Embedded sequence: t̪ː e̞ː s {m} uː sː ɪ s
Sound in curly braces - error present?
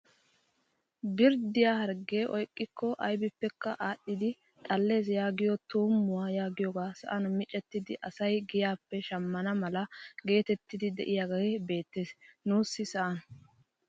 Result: yes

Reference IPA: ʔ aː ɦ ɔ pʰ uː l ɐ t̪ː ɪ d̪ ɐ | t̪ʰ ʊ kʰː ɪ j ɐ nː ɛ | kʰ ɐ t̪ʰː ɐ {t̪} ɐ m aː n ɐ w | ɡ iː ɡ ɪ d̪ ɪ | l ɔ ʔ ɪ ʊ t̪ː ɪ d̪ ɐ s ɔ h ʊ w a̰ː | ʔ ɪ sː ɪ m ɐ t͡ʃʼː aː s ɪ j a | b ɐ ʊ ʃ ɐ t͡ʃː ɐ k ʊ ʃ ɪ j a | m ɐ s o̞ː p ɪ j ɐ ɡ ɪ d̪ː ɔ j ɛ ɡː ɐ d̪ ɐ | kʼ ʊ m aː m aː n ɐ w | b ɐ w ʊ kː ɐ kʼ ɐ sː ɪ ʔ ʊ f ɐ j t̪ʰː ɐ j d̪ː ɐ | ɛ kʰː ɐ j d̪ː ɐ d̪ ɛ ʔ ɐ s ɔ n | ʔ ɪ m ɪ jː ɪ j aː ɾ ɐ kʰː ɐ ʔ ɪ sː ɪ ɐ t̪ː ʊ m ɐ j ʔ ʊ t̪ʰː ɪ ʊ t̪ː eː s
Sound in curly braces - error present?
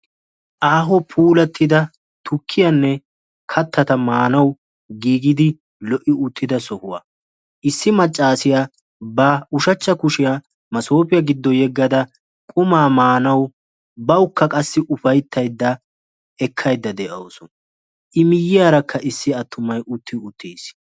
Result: no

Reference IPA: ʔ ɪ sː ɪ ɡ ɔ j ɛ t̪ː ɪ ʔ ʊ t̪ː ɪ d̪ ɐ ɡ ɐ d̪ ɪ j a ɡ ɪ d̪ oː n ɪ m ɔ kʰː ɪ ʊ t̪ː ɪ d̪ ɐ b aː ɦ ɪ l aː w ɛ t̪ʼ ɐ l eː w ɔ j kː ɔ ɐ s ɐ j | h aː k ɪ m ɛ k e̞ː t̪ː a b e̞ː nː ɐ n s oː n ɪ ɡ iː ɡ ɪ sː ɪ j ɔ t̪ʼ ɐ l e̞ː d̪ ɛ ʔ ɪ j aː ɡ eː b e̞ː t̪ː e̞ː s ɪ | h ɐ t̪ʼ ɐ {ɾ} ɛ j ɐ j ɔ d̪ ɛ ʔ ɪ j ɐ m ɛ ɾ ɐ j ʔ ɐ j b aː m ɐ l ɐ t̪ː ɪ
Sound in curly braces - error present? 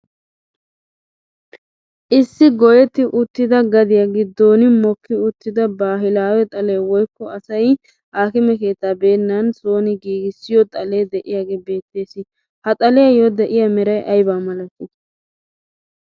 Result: yes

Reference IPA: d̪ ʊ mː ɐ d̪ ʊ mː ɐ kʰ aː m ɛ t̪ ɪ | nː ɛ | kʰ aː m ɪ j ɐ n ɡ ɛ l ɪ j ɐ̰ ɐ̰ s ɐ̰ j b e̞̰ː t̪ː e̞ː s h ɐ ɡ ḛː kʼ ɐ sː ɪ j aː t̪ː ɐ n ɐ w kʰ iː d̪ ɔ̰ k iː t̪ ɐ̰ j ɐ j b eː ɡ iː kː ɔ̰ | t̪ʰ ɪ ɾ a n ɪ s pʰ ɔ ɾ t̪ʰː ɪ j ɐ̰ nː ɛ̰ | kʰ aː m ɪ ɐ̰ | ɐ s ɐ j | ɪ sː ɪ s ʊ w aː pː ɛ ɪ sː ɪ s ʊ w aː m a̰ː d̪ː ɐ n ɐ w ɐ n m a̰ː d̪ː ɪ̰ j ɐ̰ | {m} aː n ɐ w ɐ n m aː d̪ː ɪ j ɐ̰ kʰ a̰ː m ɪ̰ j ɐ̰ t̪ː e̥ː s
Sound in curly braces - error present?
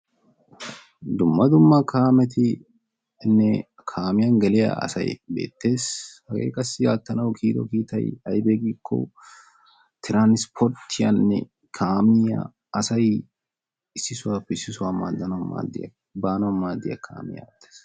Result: yes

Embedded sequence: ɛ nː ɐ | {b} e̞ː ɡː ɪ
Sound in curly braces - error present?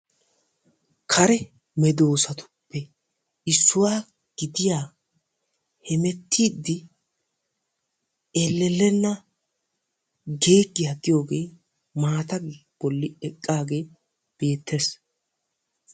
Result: yes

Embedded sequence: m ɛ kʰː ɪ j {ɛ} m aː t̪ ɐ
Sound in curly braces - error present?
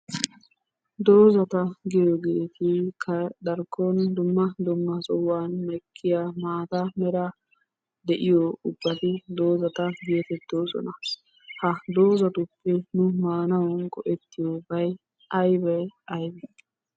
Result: yes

